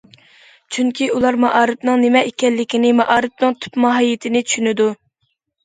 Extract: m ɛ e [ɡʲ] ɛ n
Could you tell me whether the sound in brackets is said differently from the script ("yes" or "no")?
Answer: yes